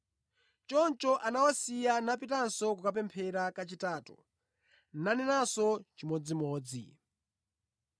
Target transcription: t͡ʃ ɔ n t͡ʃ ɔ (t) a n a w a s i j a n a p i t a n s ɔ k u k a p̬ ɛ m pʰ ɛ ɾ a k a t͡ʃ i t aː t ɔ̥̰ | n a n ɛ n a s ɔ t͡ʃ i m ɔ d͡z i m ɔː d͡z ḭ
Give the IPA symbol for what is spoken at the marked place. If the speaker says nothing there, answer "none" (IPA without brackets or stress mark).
ʔ